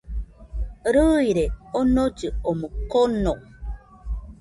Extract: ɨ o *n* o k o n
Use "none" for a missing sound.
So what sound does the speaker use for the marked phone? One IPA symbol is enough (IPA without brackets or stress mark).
m